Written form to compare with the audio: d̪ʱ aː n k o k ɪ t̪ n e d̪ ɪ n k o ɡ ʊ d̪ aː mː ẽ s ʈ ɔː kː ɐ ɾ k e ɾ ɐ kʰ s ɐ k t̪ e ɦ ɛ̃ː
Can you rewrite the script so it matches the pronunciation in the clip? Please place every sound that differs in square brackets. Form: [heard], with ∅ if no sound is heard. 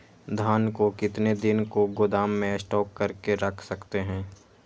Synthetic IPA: d̪ʱ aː n k o k ɪ t̪ n e d̪ ɪ n k o ɡ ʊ d̪ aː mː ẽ s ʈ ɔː kː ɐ ɾ k e ɾ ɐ kʰ s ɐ k t̪ e ɦ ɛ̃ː